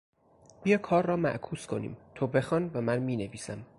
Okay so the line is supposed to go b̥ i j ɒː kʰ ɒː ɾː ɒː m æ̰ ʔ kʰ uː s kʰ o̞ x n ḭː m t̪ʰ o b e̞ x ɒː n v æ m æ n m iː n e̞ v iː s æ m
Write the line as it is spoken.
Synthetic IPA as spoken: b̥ i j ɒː kʰ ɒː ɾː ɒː m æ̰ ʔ kʰ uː s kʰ o̞ n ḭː m t̪ʰ o b e̞ x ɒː n v æ m æ n m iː n e̞ v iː s æ m